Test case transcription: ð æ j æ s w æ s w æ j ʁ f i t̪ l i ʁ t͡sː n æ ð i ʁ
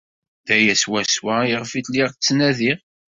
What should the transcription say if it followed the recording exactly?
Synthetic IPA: ð æ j æ s w æ s w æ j ʁ f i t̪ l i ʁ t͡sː n æ ð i ʁ

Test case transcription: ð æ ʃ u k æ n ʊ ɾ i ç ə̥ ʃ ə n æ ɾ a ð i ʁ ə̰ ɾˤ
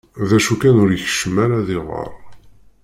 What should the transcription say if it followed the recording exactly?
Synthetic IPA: ð æ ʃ u k æ n ʊ ɾ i ç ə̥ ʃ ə m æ ɾ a ð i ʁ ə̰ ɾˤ

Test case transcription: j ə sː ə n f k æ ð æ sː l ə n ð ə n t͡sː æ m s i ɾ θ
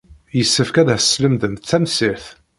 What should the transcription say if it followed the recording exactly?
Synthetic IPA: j ə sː ə f k æ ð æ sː l ə m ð ə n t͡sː æ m s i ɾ θ

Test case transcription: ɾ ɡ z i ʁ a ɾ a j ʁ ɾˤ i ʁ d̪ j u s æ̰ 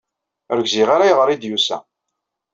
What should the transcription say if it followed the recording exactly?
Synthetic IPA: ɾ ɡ z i ʁ a ɾ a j ʁ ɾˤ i d̪ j u s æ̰

